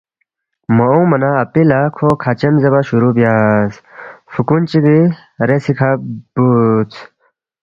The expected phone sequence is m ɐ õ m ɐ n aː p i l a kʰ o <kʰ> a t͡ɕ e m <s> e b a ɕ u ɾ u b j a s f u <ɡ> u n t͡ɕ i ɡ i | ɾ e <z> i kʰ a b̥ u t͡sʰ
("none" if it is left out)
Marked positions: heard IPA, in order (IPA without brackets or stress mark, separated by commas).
kʰ, z, k, s